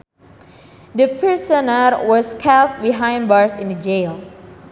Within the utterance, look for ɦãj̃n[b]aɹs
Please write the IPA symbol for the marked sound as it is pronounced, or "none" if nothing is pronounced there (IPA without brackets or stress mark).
b